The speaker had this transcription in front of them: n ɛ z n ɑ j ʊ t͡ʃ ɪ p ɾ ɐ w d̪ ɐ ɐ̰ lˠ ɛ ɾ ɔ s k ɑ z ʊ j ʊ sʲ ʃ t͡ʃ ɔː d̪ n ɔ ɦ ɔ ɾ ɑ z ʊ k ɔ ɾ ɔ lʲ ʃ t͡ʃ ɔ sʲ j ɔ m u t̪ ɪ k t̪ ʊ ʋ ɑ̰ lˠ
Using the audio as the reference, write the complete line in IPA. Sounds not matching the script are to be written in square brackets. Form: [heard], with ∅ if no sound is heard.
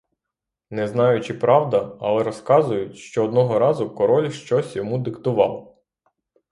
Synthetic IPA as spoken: n ɛ z n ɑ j ʊ t͡ʃ ɪ p ɾ [ɑ] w d̪ ɐ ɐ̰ lˠ ɛ ɾ ɔ s k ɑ z ʊ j ʊ [tʲ] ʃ t͡ʃ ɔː d̪ n ɔ ɦ ɔ ɾ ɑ z ʊ k ɔ ɾ ɔ lʲ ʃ t͡ʃ ɔ sʲ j ɔ m u [d̪] ɪ k t̪ ʊ ʋ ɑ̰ lˠ